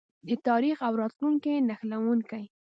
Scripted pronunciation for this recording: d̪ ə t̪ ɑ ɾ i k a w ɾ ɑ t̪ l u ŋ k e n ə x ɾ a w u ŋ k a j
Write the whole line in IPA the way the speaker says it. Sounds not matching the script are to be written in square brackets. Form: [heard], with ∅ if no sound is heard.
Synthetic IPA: d̪ ə t̪ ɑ ɾ i [x] a w ɾ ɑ t̪ l u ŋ k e n [a] x [l] a w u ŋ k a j